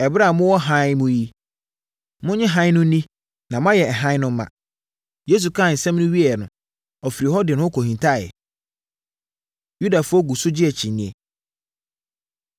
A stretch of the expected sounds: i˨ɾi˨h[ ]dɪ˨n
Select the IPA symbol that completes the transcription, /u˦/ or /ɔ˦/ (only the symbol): ɔ˦